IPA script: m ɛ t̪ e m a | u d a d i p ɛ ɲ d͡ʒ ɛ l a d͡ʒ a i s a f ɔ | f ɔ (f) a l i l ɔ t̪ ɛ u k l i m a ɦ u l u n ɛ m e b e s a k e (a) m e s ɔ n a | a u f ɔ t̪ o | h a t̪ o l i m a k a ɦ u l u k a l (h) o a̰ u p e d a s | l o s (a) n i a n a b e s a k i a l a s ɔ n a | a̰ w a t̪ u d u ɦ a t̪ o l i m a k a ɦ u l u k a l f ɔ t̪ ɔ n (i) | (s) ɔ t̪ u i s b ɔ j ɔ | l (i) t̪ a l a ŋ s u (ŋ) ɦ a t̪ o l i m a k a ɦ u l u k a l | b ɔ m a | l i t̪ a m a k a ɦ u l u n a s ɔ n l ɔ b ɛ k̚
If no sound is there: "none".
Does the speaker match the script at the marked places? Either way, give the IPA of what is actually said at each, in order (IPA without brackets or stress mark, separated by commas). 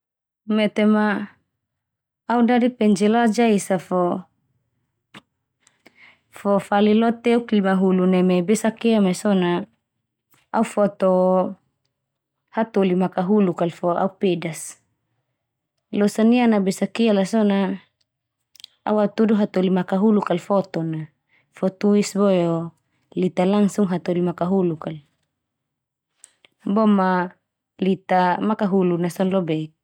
f, a, f, a, a, f, i, ŋ